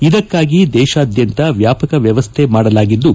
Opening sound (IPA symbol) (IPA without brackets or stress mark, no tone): i